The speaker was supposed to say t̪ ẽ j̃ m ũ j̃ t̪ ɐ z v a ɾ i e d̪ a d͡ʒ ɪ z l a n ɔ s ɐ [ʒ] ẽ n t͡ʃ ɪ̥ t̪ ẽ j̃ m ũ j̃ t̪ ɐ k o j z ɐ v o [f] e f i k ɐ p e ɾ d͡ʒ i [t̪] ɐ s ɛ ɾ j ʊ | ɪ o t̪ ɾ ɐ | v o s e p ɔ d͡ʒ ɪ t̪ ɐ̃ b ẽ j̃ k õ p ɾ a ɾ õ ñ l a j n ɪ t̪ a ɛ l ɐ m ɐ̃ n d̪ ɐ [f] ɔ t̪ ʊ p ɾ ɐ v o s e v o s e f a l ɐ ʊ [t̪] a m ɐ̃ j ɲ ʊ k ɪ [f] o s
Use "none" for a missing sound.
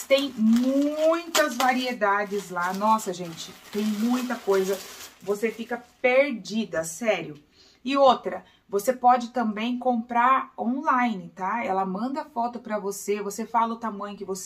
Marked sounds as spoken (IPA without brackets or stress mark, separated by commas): ʒ, s, d̪, f, t̪, v